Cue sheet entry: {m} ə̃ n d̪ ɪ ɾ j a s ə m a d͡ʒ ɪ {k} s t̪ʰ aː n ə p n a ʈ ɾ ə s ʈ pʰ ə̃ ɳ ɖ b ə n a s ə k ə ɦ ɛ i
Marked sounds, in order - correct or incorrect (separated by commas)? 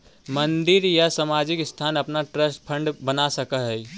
correct, correct